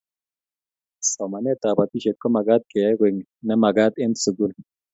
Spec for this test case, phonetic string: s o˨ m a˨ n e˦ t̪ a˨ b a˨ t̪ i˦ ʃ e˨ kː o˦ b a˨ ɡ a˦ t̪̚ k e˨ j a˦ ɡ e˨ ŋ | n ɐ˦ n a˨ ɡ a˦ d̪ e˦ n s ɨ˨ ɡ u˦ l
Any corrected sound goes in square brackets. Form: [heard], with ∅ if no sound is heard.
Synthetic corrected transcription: s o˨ m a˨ n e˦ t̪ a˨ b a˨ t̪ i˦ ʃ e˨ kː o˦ [m] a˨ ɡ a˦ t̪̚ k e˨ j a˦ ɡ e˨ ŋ | n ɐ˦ [m] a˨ ɡ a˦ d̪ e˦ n s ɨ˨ ɡ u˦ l